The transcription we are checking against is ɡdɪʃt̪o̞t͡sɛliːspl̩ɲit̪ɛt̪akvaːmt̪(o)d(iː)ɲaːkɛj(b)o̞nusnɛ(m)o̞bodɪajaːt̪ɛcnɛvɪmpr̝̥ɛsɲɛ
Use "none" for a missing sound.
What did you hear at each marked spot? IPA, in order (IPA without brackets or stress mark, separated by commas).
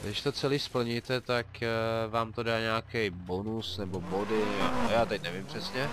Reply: o, aː, b, b